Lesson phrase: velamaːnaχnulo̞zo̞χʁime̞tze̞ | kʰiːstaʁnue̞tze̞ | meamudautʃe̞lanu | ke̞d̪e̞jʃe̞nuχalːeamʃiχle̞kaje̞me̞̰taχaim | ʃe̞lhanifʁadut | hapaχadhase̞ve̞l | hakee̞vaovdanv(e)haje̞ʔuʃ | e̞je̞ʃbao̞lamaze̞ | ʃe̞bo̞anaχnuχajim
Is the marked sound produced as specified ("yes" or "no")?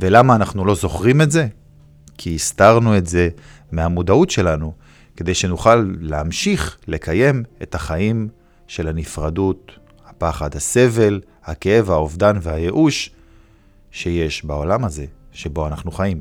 yes